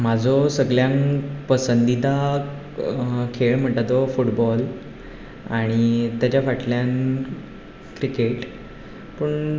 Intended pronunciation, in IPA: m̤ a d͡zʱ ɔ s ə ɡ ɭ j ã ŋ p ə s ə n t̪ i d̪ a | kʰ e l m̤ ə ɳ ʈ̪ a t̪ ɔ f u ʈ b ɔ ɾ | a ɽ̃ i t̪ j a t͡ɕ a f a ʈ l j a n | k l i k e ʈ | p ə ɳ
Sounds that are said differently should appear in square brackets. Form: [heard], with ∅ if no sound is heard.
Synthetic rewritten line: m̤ a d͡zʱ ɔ s ə ɡ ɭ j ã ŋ p ə s ə n [d̪] i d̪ a | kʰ e [ɭ] m̤ ə ɳ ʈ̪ a t̪ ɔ f u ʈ b ɔ [l] | a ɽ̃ i t̪ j a t͡ɕ a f a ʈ l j a n | k [ɾ] i k e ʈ | p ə ɳ